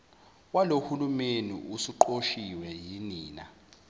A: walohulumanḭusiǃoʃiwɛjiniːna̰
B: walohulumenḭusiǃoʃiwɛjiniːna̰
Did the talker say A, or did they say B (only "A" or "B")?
B